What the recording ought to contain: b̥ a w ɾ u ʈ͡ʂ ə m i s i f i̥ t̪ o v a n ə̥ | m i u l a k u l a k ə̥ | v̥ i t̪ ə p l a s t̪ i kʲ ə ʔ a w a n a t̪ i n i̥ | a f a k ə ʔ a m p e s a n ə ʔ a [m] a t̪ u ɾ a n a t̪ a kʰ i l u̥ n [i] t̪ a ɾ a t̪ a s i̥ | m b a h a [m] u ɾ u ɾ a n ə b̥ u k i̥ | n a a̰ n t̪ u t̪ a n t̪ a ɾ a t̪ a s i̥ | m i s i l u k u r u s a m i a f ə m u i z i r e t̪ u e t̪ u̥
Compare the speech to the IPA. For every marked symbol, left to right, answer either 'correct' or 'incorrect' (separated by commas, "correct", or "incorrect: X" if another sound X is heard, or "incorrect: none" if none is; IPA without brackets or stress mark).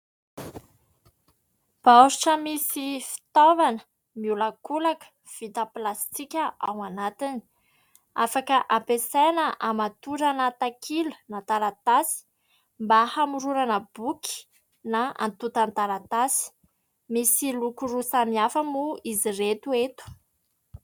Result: correct, incorrect: a, correct